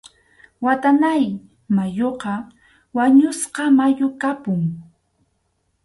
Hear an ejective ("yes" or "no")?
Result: no